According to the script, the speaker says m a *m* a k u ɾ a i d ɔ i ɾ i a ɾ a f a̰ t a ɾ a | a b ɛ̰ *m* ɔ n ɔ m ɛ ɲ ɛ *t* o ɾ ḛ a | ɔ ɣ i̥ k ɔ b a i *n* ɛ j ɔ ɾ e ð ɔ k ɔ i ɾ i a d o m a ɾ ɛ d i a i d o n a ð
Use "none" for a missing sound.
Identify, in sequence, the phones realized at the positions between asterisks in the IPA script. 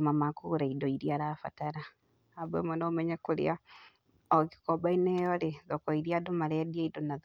m, m, k, n

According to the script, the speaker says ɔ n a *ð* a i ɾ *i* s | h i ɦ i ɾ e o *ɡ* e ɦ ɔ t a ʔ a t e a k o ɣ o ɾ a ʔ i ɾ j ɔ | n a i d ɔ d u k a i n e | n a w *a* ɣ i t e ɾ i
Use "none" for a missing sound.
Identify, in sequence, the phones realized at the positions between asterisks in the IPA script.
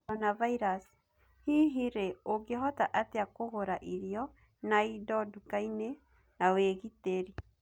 v, a, ɡ, e

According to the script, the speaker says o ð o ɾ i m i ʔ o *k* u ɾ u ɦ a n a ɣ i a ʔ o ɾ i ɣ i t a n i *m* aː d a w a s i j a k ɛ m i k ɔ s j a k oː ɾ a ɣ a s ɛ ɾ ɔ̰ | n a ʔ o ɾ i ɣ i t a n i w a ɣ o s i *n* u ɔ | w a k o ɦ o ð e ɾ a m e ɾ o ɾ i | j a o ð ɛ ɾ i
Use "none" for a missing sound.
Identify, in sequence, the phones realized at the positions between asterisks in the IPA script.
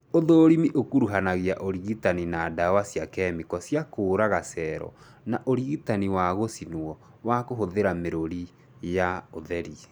k, n, n

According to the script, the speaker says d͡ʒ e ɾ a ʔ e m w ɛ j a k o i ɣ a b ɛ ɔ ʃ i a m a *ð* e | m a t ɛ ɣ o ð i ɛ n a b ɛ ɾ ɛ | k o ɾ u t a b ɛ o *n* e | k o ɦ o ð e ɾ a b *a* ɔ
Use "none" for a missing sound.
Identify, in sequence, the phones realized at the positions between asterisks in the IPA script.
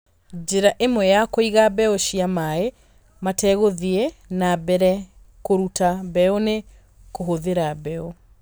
none, n, ɛ

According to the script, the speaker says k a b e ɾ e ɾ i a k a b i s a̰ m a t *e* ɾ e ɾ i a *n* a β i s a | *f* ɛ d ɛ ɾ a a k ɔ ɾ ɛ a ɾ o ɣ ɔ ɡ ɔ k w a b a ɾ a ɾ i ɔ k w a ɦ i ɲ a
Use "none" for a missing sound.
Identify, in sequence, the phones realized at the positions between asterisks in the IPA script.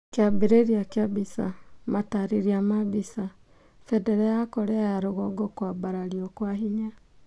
a, m, f

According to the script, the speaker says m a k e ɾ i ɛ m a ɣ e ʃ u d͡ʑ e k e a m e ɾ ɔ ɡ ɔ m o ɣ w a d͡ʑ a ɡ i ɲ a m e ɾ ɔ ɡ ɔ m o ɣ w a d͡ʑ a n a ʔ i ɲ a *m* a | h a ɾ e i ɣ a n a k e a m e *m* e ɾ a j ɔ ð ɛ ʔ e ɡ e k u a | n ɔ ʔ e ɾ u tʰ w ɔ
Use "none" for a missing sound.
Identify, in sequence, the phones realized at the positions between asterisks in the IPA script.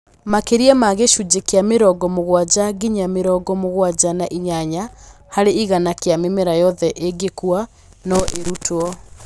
ɲ, m

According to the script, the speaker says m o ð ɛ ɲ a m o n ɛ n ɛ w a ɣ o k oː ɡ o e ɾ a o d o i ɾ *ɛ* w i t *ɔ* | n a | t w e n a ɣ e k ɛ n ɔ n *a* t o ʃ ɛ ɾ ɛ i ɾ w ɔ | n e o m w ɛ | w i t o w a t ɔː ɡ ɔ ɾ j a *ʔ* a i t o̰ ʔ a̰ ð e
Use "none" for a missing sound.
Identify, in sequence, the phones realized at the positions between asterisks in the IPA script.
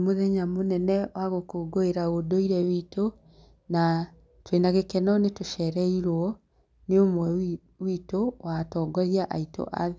ɛ, o, e, ʔ

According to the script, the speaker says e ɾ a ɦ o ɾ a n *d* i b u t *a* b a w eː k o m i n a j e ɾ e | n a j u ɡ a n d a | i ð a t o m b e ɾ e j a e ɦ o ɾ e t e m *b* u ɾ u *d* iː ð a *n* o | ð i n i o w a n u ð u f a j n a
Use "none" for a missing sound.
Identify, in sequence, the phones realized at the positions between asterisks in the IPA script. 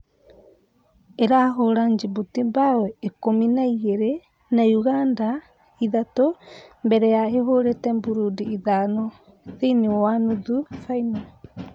d͡ʒ, i, b, d, n

